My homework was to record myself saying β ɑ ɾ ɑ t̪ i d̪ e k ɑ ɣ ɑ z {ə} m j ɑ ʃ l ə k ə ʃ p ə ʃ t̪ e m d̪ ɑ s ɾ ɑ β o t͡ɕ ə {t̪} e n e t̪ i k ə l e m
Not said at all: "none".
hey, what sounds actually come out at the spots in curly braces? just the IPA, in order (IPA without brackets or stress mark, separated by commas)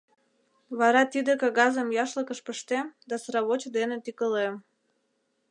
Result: ə, d̪